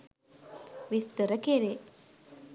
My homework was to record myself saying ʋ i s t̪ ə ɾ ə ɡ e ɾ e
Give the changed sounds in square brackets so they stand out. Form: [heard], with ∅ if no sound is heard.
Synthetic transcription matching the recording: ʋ i s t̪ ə ɾ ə [k] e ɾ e